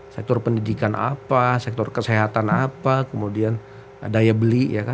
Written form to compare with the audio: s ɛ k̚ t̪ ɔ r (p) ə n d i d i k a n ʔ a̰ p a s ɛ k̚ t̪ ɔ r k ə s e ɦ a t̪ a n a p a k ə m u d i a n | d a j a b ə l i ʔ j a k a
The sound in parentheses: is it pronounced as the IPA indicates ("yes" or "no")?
yes